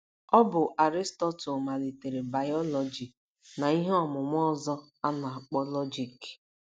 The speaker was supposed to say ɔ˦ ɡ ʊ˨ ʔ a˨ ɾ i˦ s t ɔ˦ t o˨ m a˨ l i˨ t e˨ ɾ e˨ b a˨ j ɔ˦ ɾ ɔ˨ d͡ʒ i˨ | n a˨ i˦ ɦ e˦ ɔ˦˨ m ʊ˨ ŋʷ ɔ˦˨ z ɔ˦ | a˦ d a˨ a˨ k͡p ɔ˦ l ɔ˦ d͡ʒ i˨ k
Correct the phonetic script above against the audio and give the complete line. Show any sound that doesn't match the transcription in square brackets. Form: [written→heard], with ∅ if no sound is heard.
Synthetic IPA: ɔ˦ [ɡ→b] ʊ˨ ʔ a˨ ɾ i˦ s t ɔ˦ t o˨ m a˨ l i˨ t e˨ ɾ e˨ b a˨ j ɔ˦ [ɾ→l] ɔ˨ d͡ʒ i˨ | n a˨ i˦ ɦ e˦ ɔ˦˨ m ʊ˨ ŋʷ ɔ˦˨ z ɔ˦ | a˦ [d→n] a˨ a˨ k͡p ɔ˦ l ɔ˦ d͡ʒ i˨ k